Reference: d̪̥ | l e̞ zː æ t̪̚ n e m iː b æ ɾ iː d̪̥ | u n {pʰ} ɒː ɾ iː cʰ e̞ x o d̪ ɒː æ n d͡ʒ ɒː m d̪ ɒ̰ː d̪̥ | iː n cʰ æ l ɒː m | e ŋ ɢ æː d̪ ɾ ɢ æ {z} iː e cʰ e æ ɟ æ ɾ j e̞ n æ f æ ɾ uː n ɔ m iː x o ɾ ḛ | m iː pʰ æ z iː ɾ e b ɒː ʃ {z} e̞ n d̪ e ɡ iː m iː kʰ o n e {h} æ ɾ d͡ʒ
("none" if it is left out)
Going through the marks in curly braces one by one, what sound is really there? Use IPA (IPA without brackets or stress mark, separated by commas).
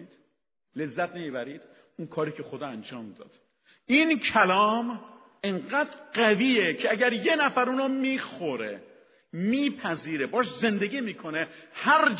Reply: kʰ, v, z, h